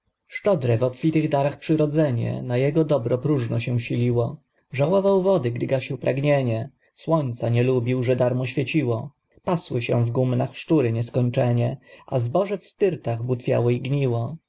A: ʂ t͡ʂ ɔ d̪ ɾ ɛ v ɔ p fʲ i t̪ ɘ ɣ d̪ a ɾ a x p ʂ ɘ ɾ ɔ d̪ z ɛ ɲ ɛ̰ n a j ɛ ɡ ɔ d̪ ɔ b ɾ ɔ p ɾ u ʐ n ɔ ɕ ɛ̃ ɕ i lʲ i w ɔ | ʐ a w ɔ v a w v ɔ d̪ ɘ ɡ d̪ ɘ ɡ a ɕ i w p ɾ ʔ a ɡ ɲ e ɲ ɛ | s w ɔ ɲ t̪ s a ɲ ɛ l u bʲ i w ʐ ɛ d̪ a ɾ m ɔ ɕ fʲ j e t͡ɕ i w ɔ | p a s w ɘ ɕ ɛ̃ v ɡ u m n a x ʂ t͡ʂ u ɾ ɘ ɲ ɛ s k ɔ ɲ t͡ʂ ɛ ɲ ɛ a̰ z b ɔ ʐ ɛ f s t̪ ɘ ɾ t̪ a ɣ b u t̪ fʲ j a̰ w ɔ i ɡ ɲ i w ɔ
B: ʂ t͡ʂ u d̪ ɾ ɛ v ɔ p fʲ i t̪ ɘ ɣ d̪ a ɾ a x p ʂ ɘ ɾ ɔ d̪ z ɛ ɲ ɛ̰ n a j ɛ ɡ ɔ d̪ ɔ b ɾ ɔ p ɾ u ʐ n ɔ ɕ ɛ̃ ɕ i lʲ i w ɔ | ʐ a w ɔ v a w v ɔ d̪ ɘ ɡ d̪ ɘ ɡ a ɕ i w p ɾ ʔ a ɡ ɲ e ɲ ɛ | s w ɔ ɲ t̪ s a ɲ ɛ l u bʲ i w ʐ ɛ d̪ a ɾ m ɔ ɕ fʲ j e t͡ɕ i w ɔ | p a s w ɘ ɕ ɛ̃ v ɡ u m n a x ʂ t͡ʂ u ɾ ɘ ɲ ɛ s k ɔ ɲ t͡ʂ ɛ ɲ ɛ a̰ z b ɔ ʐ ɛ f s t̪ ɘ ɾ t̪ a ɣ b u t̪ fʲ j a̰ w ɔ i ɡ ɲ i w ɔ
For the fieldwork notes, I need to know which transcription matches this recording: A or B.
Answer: A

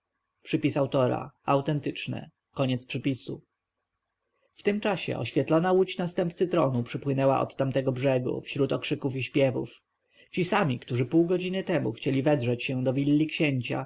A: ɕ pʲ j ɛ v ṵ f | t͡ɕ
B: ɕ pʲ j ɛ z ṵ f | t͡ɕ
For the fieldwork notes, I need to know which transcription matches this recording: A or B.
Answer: A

